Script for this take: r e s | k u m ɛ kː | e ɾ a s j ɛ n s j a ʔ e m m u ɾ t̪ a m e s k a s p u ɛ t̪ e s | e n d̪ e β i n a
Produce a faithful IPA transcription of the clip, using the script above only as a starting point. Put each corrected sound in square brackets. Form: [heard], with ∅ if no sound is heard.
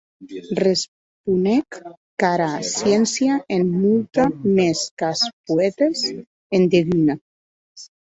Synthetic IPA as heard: r e s | [p] u [n] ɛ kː | [a] ɾ a s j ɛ n s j a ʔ e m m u [l] t̪ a m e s k a s p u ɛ t̪ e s | e n d̪ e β i n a